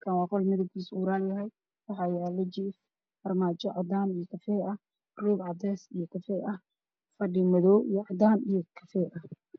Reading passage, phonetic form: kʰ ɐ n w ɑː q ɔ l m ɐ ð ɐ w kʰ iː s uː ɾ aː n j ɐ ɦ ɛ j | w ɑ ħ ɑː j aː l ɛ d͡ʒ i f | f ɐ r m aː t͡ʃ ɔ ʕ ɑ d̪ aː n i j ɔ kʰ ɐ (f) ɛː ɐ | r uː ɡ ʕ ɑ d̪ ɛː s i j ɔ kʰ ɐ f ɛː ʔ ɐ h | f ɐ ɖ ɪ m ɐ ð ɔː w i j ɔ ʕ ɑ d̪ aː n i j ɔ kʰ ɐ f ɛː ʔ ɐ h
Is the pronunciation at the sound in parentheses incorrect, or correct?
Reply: correct